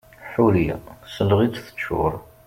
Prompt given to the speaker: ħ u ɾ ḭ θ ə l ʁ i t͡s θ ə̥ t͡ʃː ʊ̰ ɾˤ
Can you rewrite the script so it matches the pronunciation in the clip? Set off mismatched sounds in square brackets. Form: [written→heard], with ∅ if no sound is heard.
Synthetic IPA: ħ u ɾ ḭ [θ→s] ə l ʁ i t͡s θ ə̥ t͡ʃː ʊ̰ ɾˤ